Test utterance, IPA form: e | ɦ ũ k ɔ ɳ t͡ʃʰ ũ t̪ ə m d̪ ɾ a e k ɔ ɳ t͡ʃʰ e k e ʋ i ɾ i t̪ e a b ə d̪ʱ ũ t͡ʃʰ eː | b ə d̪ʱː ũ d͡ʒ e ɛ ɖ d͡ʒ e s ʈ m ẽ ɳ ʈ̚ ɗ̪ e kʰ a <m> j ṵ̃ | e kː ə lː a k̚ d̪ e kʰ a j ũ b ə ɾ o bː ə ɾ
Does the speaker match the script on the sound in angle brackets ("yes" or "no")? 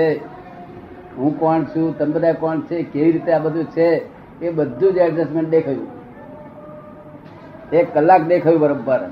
no